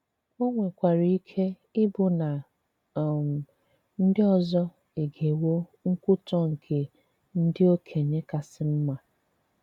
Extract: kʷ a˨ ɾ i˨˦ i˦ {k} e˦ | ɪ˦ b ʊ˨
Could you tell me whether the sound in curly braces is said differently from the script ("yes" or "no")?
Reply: yes